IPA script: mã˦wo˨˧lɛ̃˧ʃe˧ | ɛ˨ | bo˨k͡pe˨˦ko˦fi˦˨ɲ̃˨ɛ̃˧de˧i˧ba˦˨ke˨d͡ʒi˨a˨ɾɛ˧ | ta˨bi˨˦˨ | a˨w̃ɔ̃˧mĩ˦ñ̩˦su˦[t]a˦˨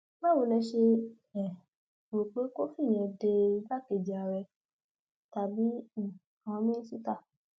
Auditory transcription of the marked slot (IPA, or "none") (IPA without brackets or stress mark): t